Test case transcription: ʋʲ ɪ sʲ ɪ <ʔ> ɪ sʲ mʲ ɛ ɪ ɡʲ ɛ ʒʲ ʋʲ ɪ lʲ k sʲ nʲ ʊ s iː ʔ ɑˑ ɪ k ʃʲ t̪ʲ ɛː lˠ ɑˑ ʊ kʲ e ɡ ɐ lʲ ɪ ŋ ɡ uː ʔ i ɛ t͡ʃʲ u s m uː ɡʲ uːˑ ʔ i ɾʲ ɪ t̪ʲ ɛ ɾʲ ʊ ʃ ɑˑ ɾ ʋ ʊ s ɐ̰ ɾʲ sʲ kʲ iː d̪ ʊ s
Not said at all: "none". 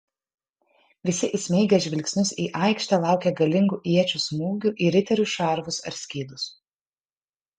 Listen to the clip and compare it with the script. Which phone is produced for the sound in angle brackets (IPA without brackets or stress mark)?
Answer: ʔ